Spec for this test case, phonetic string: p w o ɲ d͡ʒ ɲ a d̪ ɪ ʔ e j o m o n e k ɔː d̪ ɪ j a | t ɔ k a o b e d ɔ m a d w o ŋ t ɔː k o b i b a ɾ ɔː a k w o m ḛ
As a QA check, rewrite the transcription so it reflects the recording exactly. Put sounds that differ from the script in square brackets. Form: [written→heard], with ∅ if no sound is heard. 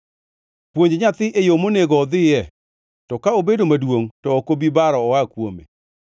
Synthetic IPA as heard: p w o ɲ d͡ʒ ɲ a [d̪→t̪] ɪ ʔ e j o m o n e [k→ɡ] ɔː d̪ ɪ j [a→ɛ] | t ɔ k a o b e d [ɔ→o] m a d w o ŋ t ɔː k o b i b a ɾ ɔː a k w o m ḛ